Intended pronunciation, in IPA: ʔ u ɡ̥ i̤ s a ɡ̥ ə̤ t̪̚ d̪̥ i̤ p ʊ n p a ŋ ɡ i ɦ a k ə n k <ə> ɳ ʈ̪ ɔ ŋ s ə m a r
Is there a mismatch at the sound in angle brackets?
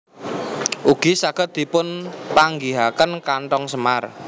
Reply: yes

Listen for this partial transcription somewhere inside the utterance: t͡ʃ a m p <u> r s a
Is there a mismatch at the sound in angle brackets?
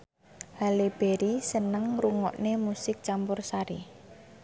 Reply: yes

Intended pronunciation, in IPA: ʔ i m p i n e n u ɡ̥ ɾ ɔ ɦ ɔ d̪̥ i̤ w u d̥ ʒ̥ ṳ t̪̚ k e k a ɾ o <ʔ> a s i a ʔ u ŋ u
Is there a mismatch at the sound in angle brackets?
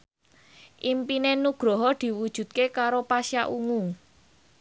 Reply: yes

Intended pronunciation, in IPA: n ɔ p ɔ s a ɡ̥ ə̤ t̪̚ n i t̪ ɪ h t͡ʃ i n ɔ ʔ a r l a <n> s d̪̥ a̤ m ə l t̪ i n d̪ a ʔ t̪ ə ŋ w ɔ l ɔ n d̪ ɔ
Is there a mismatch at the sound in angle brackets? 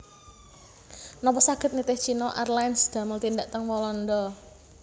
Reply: no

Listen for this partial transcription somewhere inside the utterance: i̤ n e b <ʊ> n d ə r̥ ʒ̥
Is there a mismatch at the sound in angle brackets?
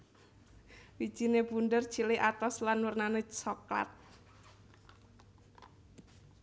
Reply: yes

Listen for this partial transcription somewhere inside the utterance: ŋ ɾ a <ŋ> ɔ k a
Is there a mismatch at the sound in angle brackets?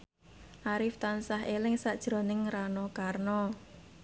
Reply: yes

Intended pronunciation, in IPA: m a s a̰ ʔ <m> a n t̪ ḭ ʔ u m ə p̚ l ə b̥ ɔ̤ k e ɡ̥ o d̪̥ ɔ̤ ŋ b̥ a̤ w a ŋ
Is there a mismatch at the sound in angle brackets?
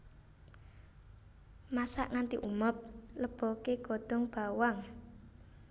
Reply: yes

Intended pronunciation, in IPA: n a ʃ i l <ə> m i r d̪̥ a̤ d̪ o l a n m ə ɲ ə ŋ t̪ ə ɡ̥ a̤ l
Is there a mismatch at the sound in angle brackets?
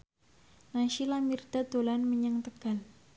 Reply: yes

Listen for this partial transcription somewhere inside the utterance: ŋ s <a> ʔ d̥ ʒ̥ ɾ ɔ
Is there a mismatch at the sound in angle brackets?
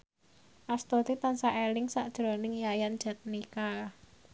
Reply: no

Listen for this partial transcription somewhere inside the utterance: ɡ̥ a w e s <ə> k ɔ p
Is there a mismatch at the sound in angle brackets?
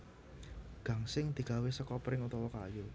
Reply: no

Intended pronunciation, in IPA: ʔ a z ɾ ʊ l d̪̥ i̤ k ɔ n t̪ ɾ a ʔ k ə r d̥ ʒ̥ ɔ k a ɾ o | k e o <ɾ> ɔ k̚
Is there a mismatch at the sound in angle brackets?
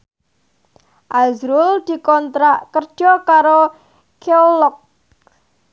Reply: yes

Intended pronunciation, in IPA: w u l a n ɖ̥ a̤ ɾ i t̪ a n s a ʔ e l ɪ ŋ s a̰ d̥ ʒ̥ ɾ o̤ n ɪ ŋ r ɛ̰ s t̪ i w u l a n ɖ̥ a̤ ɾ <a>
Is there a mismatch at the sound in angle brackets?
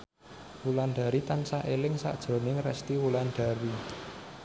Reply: yes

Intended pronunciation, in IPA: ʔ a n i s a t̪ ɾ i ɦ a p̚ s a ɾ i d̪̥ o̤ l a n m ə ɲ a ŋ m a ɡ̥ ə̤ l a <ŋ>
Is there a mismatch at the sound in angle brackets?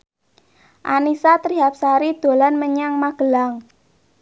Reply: no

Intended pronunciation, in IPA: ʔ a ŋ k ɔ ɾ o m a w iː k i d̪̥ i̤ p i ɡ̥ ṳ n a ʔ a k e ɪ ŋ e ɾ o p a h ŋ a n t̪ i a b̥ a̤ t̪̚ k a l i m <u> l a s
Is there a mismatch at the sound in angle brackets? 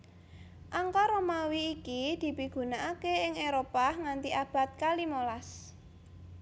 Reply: yes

